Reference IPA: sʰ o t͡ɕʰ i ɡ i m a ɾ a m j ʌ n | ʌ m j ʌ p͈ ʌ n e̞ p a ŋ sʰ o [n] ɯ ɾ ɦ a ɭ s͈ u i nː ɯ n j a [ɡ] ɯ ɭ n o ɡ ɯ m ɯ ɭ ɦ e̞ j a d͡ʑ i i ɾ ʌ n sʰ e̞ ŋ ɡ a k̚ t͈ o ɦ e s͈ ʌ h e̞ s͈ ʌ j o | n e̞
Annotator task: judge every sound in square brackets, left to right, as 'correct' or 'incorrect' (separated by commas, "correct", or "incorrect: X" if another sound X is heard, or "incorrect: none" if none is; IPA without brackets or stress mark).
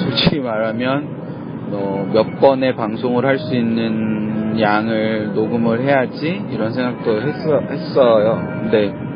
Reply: incorrect: ŋ, incorrect: ŋ